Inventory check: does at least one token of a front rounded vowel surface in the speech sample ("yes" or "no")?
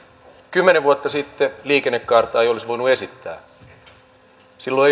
yes